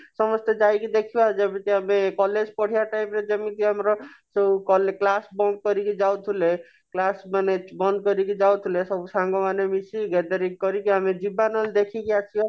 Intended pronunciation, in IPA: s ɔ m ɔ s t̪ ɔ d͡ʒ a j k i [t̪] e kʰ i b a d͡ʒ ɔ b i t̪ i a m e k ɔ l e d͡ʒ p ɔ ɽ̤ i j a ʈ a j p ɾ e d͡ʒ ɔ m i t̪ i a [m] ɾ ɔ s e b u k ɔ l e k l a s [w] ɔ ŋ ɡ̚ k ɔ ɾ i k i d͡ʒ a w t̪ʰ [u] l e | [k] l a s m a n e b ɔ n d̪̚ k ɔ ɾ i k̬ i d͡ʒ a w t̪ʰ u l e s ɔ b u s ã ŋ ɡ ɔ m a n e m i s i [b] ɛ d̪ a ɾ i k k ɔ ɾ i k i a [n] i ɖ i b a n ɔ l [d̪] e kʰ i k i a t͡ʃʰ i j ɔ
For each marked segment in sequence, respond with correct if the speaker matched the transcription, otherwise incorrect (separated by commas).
incorrect, correct, incorrect, correct, correct, incorrect, incorrect, correct